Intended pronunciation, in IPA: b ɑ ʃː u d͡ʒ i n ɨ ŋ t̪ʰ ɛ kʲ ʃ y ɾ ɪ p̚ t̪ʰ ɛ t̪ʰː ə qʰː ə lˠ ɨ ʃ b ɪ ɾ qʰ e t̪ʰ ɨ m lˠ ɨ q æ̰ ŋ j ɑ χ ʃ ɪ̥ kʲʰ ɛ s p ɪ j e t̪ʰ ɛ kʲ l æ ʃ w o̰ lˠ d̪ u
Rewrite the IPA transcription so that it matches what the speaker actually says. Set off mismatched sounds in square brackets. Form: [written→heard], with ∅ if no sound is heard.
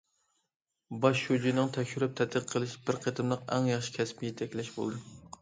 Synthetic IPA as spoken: b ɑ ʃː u d͡ʒ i n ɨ ŋ t̪ʰ ɛ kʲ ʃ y ɾ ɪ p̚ t̪ʰ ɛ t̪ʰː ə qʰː ə lˠ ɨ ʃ b ɪ ɾ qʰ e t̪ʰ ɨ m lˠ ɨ q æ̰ ŋ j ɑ χ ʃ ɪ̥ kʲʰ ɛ s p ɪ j e t̪ʰ ɛ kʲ l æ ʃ [w→b] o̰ lˠ d̪ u